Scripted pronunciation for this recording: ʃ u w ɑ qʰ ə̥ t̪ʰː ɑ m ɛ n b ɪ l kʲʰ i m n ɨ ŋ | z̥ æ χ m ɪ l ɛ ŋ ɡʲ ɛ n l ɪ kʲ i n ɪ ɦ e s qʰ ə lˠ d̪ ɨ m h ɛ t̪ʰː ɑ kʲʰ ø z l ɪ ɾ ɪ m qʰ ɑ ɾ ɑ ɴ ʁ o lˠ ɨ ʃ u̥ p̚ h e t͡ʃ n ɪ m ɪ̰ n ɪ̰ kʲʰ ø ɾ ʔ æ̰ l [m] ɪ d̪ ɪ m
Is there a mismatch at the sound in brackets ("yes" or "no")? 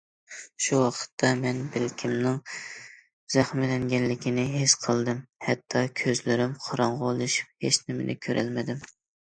no